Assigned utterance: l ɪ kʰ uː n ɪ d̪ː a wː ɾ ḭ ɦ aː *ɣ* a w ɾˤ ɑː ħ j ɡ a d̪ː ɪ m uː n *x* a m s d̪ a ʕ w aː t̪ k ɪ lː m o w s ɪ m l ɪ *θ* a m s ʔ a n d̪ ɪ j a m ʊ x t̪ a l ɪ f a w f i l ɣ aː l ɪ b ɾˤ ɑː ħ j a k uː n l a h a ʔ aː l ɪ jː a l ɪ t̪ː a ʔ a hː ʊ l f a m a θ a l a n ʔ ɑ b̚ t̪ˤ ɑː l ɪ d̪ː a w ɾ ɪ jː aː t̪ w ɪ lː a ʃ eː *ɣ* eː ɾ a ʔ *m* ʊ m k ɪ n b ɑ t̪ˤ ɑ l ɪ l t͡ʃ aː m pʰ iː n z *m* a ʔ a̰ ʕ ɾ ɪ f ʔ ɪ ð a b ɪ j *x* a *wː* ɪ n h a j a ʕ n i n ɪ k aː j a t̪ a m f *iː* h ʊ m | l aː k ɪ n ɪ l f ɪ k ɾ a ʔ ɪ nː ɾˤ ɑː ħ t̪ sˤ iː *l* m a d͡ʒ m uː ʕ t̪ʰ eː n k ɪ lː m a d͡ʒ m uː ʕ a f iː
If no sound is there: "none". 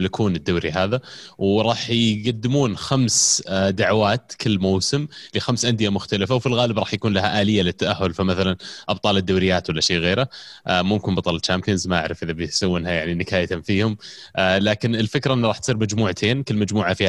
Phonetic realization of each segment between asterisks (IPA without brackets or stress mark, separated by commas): ð, x, x, ɣ, m, m, s, wː, iː, ɾ